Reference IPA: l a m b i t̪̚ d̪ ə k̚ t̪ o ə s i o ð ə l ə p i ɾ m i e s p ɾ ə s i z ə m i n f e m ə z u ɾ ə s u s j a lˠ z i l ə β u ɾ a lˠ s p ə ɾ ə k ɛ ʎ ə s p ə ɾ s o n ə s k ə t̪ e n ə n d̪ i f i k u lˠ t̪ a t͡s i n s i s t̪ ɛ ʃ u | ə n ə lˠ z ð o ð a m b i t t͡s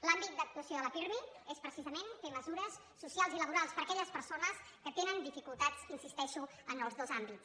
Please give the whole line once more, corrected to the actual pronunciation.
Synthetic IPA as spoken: l a m b i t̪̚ d̪ ə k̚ t̪ u ə s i o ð ə l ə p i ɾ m i e s p ɾ ə s i z ə m e n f e m ə z u ɾ ə sː u s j a lˠ z i l ə β u ɾ a lˠ s p ə ɾ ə k ɛ ʎ ə s p ə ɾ s o n ə s k ə t̪ e n ə n d̪ i f i k u lˠ t̪ a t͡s i n s i s t̪ ɛ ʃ u | ə n ə lˠ z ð o z a m b i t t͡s